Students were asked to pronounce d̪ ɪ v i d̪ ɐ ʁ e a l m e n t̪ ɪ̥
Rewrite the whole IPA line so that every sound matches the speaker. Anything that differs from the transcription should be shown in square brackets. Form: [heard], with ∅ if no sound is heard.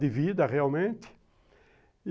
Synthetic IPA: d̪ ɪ v i d̪ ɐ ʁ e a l m [ẽ] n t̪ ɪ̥

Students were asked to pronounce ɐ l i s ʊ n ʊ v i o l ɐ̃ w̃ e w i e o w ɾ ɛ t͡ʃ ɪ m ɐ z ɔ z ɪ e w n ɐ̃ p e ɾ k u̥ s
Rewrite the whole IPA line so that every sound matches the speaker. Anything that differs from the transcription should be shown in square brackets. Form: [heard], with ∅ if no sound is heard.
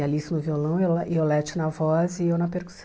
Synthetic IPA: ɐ l i s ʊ n ʊ v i o l ɐ̃ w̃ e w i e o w [l] ɛ t͡ʃ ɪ [n] ɐ [v] ɔ z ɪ e w n [ɐ] p e ɾ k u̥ s

